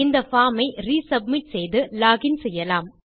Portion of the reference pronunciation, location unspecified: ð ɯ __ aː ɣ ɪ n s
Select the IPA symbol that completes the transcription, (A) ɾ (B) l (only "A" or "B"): B